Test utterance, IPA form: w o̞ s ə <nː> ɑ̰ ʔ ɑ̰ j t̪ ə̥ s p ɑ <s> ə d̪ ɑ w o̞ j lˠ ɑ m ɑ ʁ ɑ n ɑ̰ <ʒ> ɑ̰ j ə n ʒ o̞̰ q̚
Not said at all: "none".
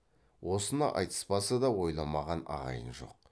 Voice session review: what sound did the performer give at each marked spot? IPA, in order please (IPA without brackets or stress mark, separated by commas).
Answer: n, s, ʁ